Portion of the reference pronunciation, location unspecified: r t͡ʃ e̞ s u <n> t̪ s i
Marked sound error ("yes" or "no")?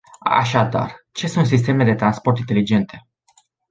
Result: no